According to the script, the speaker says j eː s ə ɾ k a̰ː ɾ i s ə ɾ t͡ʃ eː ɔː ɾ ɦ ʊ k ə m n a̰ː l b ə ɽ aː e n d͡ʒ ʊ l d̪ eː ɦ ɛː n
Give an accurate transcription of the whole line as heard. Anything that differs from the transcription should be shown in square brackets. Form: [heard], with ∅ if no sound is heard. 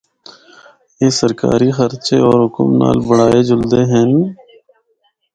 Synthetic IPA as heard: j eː s ə ɾ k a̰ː ɾ i [x] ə ɾ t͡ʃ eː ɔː ɾ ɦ ʊ k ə m n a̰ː l b ə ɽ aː e [∅] d͡ʒ ʊ l d̪ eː ɦ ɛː n